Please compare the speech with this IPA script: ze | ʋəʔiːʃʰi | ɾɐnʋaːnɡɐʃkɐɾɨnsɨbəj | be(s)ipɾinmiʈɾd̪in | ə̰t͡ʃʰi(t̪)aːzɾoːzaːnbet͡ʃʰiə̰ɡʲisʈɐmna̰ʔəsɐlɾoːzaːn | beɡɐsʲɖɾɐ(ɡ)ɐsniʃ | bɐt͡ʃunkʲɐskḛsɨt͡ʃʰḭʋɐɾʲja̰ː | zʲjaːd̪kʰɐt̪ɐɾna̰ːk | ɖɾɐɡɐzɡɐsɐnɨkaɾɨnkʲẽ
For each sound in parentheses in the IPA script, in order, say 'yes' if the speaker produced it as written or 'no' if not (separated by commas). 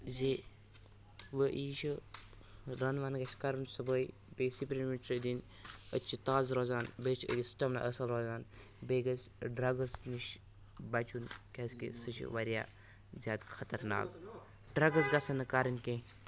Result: yes, yes, yes